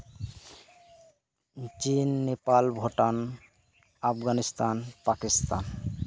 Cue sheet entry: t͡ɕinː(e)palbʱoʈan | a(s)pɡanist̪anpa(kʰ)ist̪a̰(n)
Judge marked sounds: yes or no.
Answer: yes, no, no, yes

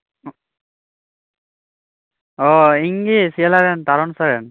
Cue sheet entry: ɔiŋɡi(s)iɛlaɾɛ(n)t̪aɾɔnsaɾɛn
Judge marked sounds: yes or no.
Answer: yes, yes

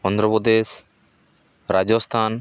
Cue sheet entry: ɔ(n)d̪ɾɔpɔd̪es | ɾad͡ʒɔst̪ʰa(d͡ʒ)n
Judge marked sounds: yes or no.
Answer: yes, no

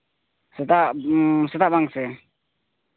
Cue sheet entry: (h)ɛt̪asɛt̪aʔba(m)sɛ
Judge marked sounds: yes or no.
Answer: no, no

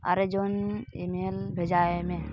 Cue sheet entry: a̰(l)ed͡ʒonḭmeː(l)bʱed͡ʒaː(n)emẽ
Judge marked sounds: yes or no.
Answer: no, yes, no

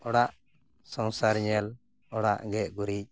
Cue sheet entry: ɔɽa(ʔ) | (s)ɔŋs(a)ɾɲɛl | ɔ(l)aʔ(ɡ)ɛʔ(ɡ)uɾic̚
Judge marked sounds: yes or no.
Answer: yes, yes, yes, no, yes, yes

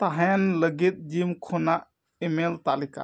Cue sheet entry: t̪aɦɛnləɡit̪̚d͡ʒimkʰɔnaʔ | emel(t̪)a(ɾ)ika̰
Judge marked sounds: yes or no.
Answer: yes, no

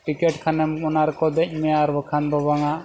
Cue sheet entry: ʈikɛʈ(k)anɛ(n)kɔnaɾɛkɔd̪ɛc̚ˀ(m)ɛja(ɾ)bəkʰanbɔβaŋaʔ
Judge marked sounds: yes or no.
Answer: no, no, yes, yes

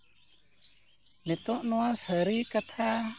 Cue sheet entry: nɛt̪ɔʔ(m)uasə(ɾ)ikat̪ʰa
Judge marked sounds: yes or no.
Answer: no, yes

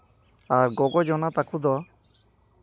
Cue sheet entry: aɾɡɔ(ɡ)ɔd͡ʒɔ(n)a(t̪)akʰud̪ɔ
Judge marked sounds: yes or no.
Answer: yes, yes, yes

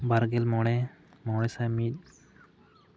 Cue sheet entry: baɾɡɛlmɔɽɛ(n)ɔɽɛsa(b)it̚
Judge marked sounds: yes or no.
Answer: no, no

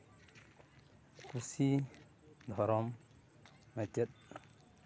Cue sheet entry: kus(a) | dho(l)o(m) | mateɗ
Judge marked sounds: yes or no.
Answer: no, no, yes

